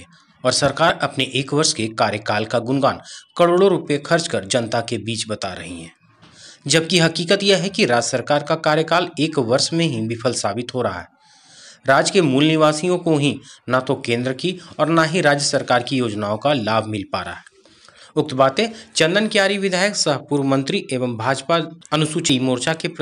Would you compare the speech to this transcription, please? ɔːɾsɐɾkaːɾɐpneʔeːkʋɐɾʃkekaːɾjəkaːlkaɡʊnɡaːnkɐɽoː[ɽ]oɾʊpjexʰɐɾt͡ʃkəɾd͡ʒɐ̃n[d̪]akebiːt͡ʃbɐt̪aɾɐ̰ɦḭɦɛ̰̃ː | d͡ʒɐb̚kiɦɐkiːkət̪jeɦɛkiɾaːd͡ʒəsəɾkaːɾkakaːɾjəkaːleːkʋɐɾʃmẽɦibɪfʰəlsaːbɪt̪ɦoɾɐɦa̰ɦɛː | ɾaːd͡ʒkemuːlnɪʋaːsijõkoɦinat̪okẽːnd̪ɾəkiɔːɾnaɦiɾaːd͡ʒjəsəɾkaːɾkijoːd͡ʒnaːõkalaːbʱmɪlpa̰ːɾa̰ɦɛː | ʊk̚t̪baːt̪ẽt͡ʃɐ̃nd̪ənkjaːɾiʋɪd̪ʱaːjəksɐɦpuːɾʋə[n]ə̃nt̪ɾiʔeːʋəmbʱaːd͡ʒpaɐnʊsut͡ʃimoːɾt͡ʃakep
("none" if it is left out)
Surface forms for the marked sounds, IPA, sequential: ɽ, t̪, m

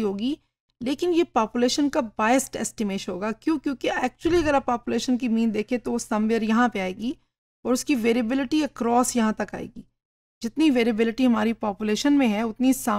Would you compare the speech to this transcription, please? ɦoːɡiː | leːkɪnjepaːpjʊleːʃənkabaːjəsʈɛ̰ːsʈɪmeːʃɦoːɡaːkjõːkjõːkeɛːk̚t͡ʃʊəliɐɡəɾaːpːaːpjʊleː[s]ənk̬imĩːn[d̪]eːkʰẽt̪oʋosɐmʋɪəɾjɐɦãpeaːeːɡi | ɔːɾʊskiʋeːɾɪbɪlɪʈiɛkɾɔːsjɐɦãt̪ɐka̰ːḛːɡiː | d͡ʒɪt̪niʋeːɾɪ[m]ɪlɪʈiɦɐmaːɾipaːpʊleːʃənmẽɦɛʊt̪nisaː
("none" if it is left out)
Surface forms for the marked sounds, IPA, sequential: ʃ, d̪, b

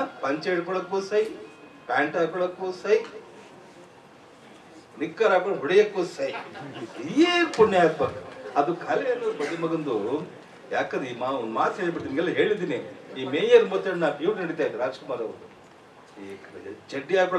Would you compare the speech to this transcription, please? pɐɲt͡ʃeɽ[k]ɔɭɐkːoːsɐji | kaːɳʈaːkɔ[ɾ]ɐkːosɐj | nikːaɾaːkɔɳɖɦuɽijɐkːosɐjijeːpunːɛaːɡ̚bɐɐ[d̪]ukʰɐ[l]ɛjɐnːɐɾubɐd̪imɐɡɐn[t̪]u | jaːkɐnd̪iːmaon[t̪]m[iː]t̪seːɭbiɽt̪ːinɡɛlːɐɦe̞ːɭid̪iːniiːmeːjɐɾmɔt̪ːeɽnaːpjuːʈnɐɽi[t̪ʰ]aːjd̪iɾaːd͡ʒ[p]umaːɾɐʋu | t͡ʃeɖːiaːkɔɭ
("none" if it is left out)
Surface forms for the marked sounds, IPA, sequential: k, ɭ, d̪, l, d̪, d̪, aː, t̪, k

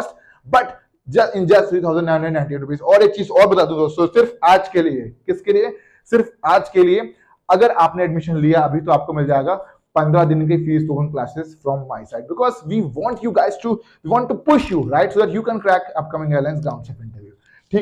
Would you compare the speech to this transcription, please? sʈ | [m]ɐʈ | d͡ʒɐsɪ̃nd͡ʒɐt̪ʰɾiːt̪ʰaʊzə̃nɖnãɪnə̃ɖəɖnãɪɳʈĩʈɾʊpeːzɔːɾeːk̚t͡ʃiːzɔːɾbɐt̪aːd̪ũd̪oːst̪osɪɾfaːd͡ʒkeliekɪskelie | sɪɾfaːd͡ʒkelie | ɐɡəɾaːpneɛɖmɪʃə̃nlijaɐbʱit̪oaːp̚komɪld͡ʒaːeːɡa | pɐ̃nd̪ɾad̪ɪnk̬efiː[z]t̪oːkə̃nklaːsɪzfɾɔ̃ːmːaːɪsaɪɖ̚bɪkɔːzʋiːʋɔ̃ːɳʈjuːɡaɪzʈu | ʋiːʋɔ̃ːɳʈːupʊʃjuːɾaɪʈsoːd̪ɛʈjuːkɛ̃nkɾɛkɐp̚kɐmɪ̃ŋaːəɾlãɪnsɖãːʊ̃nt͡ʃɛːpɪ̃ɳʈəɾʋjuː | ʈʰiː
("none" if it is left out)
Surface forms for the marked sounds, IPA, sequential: b, s

